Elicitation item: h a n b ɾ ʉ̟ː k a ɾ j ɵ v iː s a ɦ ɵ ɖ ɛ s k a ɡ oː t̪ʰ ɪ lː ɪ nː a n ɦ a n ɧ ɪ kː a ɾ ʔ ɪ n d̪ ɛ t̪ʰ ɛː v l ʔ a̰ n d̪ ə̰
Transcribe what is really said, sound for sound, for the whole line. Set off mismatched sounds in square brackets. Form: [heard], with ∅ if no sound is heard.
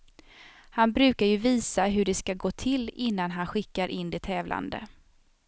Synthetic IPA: h a n b ɾ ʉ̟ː k a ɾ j ɵ v iː s a ɦ ɵ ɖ ɛ s k a ɡ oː t̪ʰ ɪ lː ɪ nː a n ɦ a n ɧ ɪ kː a ɾ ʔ ɪ n d̪ ɛ t̪ʰ ɛː v l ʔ a̰ n d̪ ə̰